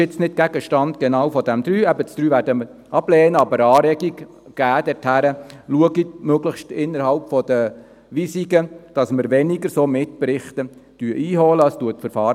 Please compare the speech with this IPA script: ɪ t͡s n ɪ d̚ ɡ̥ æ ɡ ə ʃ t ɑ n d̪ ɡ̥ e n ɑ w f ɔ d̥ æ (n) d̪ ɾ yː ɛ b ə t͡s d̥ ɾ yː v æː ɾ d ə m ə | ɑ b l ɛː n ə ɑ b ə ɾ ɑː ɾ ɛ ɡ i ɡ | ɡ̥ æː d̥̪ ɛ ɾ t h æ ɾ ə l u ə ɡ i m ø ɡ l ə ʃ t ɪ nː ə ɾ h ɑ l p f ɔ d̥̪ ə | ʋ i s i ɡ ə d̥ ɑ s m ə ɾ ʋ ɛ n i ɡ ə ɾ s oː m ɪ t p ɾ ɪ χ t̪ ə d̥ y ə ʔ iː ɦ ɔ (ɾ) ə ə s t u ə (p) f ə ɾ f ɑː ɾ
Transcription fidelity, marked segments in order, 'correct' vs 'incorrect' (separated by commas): incorrect, incorrect, incorrect